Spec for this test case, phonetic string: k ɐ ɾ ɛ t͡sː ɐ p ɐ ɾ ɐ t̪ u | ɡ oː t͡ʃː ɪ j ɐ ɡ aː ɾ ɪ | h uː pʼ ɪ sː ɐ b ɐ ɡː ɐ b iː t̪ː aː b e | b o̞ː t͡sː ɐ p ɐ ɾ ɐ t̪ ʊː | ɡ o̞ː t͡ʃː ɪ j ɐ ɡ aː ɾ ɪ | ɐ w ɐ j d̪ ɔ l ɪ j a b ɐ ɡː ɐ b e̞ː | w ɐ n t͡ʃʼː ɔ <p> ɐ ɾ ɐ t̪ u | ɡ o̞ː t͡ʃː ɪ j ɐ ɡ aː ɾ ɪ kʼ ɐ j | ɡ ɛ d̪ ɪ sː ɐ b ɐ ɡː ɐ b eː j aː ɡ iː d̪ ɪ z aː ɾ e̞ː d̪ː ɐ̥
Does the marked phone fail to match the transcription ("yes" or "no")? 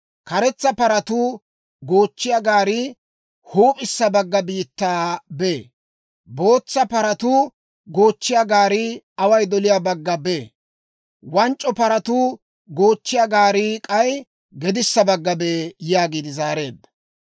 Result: no